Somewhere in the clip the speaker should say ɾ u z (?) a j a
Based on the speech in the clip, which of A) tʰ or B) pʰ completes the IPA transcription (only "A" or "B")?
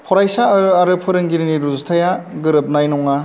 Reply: A